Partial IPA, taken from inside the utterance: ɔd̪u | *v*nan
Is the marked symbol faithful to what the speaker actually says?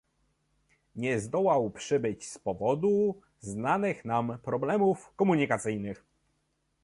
no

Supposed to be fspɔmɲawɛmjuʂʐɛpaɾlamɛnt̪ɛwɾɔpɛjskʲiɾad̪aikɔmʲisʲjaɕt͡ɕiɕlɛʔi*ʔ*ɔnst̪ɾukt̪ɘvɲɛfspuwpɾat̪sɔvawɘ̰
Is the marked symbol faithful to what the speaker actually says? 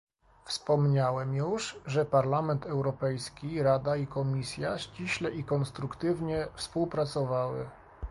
no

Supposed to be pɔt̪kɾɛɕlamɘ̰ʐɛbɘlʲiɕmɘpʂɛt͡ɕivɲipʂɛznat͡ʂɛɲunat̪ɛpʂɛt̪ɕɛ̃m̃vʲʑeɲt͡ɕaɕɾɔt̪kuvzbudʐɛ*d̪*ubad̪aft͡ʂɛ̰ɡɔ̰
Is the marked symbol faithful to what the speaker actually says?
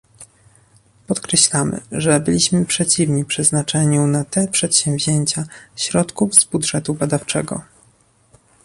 no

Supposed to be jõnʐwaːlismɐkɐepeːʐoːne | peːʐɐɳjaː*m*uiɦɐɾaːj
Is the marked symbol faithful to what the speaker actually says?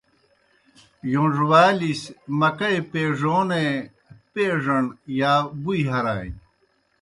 no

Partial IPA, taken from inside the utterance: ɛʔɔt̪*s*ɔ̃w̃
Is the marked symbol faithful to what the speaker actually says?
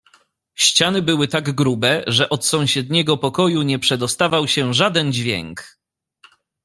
yes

